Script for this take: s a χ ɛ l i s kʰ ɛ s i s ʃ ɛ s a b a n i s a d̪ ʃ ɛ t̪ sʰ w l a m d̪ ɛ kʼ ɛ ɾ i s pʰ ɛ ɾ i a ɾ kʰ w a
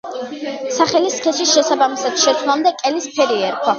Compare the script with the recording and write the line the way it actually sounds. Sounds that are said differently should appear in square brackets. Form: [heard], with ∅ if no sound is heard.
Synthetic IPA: s a χ ɛ l i s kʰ ɛ s i s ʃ ɛ s a b a [m] i s a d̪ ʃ ɛ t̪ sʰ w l a m d̪ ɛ kʼ ɛ [l] i s pʰ ɛ ɾ i [ɛ] ɾ kʰ w a